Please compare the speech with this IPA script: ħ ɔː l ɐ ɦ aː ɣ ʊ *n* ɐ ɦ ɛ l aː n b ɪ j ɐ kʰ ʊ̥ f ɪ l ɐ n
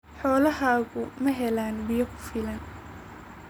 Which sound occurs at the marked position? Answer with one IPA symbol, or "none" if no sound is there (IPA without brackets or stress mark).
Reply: m